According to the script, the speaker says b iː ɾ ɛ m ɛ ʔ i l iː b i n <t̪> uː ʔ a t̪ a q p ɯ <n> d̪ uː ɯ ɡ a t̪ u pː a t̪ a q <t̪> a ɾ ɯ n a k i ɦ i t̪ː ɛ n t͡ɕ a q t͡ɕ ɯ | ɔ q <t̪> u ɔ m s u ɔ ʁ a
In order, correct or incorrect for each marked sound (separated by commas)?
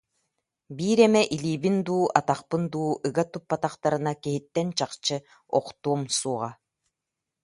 incorrect, correct, correct, correct